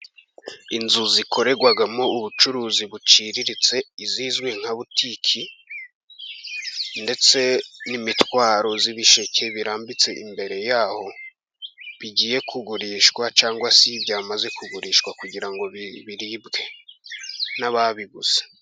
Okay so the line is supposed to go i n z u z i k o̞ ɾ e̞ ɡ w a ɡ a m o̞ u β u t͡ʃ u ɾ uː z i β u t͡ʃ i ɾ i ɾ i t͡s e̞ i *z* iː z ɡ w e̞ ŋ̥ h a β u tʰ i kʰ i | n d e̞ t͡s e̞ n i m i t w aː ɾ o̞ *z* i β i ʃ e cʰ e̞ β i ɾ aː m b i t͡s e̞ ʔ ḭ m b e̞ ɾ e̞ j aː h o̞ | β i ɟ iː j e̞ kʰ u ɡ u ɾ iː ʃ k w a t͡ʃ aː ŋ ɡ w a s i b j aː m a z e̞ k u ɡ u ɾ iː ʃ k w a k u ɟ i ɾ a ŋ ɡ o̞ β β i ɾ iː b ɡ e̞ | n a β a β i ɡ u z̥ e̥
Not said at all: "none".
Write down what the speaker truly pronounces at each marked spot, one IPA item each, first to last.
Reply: z, z

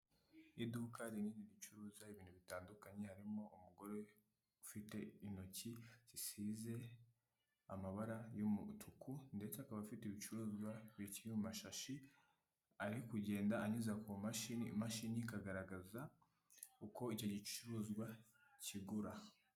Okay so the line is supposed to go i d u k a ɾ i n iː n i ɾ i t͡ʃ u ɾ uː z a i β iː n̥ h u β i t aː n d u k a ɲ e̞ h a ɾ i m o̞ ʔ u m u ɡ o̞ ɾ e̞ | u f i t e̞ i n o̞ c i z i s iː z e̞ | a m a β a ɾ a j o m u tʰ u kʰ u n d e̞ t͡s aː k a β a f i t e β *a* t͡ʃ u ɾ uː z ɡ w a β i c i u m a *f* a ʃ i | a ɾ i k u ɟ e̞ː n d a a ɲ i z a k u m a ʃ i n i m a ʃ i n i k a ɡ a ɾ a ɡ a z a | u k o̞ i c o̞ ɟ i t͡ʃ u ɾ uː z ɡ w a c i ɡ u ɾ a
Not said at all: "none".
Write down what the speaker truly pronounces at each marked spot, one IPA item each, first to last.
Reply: i, ʃ

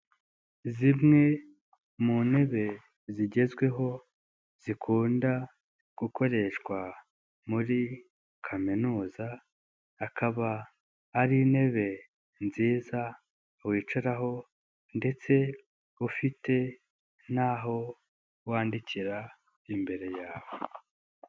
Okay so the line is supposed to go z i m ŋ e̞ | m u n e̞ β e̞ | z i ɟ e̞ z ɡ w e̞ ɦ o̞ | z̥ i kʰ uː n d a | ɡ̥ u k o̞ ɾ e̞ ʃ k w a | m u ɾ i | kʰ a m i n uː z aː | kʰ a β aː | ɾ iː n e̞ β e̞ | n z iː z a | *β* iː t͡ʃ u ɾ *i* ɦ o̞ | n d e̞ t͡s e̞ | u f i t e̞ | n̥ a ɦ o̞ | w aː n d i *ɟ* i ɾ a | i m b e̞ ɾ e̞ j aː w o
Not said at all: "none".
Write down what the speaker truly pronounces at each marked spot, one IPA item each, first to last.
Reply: w, a, c

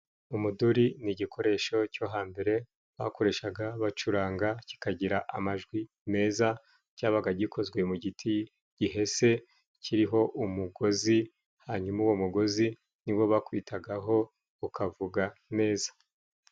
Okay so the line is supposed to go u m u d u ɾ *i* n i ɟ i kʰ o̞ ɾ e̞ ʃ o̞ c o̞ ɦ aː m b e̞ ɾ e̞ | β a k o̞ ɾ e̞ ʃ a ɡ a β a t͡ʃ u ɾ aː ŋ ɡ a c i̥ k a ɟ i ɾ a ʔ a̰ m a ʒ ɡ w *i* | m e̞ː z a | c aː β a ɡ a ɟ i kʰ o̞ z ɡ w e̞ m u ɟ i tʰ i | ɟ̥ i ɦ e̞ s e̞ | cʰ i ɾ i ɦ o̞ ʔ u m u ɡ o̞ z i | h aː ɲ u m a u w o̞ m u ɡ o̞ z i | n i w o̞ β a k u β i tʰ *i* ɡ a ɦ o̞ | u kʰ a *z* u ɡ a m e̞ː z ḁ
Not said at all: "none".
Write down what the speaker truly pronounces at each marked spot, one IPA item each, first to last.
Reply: i, i, a, v

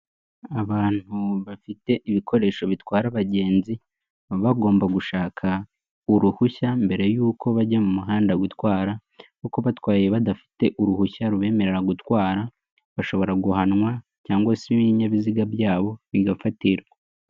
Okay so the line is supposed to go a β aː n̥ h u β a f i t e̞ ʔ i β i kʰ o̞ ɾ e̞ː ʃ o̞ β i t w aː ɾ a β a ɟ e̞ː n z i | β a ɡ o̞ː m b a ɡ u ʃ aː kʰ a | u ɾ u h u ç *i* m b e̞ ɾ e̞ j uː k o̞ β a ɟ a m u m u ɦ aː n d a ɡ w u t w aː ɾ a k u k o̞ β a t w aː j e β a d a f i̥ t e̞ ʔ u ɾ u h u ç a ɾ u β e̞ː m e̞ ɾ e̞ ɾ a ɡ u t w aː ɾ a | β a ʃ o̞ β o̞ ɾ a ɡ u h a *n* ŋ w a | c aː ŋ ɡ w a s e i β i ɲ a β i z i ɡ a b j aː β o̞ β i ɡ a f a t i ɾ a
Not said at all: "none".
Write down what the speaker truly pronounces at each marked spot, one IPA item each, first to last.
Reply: a, n

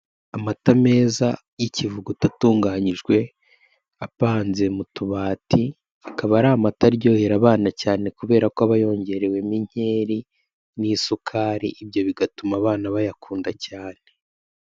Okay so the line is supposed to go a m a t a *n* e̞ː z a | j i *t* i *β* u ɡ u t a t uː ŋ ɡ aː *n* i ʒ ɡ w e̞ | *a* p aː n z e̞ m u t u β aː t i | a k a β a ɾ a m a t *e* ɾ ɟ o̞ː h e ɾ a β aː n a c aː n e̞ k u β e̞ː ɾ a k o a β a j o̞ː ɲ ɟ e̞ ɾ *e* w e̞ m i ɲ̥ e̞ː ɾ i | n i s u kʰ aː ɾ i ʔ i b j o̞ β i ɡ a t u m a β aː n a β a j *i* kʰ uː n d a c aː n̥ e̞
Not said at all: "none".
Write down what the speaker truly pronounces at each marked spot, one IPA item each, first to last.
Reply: m, c, v, ɲ, a, a, e, a

